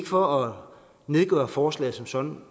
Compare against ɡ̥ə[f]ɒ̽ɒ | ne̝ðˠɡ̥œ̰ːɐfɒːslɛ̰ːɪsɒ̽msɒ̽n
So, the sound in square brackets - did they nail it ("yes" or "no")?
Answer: yes